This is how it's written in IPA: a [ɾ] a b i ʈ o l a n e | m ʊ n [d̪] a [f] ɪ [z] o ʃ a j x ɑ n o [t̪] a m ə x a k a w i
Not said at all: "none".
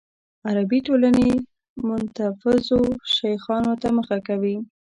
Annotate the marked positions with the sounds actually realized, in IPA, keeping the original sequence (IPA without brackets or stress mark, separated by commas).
ɾ, t̪, f, z, t̪